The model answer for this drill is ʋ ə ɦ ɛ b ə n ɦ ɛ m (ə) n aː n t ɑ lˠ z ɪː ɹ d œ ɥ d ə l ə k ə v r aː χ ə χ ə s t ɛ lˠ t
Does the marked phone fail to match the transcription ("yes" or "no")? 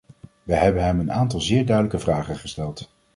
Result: no